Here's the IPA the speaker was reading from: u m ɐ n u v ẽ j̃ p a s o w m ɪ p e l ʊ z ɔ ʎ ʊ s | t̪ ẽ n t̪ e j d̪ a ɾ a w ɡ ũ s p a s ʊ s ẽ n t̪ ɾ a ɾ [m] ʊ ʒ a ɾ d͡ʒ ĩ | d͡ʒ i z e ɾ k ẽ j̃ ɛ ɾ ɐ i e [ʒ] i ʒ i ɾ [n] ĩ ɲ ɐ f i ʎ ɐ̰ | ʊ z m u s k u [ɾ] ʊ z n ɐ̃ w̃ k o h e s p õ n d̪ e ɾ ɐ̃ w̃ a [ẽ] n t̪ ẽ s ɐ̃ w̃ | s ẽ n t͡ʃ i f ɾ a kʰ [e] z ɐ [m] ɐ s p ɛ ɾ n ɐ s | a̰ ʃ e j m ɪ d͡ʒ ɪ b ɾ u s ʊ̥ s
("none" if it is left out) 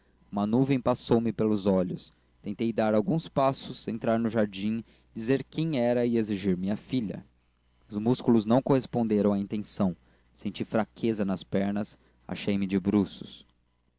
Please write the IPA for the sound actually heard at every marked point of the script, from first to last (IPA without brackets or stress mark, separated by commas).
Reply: n, z, m, l, ĩ, e, n